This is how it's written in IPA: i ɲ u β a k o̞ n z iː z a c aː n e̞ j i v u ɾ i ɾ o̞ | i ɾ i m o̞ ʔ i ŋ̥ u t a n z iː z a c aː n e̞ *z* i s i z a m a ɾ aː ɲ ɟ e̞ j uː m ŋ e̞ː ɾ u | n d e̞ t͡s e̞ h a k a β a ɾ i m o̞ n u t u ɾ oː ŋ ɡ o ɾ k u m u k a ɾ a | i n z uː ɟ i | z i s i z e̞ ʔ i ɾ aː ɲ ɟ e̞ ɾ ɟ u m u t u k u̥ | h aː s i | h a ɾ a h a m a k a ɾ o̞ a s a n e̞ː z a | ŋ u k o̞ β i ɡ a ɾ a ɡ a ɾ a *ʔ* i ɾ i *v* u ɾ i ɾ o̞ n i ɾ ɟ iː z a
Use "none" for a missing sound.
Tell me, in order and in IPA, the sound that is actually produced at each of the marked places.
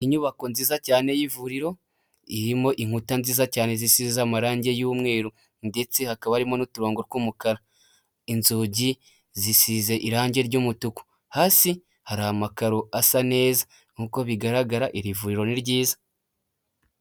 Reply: z, ʔ, v

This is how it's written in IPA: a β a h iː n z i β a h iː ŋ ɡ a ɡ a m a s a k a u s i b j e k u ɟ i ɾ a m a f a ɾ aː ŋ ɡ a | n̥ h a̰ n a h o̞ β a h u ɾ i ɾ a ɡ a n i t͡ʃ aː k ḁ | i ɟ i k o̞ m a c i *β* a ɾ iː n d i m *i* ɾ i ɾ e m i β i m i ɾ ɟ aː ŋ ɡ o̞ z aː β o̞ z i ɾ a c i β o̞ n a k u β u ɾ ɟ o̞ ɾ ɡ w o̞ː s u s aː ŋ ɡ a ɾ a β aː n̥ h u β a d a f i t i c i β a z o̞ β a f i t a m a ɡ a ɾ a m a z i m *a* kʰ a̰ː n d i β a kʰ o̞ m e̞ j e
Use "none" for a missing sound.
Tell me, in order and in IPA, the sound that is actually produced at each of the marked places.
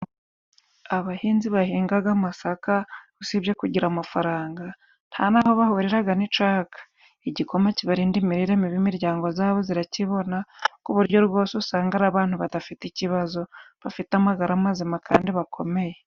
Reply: β, i, a

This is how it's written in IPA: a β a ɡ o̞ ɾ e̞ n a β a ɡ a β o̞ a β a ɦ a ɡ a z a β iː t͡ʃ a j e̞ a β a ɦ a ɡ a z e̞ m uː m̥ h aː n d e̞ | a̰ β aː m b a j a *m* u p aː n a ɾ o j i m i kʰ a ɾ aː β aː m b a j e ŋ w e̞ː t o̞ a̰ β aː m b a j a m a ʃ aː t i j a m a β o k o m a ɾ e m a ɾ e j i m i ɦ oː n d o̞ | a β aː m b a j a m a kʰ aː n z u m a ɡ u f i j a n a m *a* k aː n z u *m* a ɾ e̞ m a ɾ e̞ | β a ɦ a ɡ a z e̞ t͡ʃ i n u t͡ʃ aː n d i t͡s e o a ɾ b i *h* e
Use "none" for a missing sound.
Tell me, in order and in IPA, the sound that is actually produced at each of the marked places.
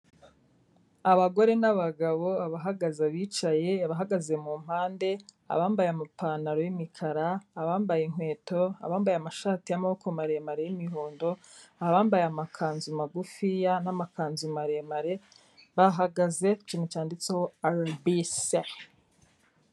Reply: m, a, m, s

